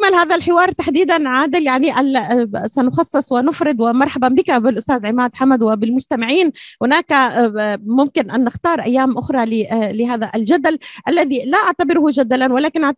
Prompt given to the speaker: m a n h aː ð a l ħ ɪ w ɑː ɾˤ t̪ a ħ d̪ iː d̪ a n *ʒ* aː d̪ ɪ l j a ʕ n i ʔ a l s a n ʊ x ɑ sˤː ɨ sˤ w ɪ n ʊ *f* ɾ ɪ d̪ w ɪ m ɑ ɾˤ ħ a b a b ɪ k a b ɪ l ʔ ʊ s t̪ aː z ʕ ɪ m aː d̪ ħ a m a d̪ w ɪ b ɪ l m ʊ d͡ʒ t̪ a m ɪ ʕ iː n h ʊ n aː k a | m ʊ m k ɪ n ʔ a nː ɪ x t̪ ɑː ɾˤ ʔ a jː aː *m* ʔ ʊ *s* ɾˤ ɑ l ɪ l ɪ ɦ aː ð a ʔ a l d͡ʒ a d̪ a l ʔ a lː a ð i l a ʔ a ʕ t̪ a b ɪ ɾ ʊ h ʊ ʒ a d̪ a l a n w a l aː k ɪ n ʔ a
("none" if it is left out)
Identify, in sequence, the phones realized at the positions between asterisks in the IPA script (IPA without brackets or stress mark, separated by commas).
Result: ʕ, f, m, x